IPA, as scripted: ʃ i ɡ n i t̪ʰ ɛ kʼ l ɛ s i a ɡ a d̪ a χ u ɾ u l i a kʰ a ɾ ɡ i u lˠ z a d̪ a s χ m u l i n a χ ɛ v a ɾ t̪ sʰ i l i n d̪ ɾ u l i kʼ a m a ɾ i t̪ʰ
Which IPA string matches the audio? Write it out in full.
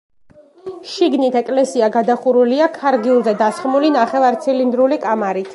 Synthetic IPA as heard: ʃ i ɡ n i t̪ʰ ɛ kʼ l ɛ s i a ɡ a d̪ a χ u ɾ u l i a kʰ a ɾ ɡ i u lˠ z ɛ d̪ a s χ m u l i n a χ ɛ v a ɾ t̪ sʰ i l i n d̪ ɾ u l i kʼ a m a ɾ i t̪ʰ